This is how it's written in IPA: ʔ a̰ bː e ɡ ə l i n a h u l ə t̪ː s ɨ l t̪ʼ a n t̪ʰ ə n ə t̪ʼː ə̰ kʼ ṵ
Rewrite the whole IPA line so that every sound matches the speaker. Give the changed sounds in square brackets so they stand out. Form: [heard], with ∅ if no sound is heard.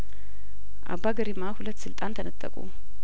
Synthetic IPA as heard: ʔ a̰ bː [a] ɡ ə [ɾ] i [m] a h u l ə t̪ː s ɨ l t̪ʼ a n t̪ʰ ə n ə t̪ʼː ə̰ kʼ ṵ